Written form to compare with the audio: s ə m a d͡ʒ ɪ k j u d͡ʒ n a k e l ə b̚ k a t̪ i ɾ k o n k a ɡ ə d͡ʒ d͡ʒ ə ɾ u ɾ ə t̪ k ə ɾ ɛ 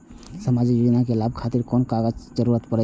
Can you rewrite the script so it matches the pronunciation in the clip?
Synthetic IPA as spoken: s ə m a d͡ʒ i k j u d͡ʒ n a k e l a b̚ kʰ a t̪ i ɾ k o n k a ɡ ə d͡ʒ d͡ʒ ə ɾ u ɾ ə t̪ p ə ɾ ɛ